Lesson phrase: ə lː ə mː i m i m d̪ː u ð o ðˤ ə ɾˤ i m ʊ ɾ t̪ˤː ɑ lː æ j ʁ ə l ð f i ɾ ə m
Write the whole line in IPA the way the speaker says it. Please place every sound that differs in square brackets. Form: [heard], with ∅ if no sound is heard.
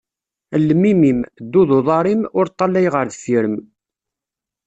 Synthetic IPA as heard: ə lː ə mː i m i m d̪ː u ð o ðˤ [ɑ] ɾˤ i m ʊ ɾ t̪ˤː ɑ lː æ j ʁ ə [ɾ] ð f i ɾ ə m